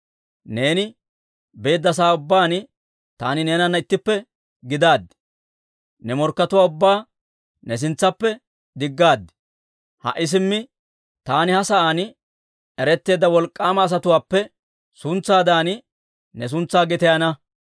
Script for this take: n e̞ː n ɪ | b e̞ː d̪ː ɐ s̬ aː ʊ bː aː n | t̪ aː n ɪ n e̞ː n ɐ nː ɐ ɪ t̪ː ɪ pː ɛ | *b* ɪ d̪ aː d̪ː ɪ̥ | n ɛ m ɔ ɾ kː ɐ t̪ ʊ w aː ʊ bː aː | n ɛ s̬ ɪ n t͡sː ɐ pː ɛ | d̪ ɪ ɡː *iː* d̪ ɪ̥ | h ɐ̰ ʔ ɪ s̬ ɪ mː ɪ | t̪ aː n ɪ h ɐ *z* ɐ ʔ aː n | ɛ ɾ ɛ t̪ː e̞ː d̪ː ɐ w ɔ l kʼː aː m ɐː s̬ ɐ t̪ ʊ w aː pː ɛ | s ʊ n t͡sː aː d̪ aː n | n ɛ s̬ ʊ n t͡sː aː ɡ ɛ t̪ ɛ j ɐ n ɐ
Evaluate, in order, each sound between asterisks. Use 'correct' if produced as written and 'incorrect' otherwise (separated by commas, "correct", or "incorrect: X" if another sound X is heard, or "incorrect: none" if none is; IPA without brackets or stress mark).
incorrect: ɡ, incorrect: aː, incorrect: s